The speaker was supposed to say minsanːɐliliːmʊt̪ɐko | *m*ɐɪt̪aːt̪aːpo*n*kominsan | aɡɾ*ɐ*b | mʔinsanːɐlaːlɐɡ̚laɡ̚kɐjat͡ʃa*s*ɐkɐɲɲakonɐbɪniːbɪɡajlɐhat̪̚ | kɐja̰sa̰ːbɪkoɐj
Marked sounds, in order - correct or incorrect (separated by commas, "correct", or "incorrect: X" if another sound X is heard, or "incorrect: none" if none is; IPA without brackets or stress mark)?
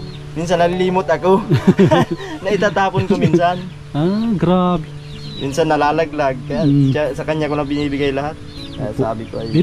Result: incorrect: n, correct, incorrect: a, correct